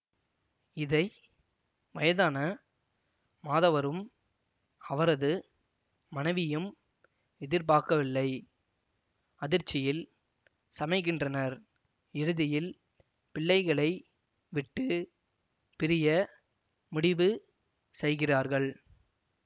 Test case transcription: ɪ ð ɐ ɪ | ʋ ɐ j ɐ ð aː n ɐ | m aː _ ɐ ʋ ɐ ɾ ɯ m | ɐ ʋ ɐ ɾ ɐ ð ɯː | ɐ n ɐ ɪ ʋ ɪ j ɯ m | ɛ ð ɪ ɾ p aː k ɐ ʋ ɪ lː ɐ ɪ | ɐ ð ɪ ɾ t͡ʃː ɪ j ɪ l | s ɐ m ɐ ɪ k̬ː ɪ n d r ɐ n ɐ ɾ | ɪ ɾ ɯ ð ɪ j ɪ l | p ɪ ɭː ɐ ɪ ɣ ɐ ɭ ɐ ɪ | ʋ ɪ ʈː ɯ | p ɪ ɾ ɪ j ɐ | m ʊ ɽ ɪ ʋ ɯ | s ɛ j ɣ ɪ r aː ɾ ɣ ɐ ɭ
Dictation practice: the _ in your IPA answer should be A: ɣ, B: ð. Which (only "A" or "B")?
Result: B